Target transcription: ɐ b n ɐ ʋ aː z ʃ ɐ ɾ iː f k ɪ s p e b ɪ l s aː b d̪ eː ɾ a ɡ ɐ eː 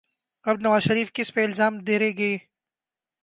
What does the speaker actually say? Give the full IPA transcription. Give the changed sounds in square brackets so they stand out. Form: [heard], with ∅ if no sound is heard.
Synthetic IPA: ɐ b n ɐ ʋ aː z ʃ ɐ ɾ iː f k ɪ s p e [∅] ɪ l [z] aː [m] d̪ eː ɾ [e] ɡ ɐ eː